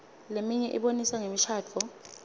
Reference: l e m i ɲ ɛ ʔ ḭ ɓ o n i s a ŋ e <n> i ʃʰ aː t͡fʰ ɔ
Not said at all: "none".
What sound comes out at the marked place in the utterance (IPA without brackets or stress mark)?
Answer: m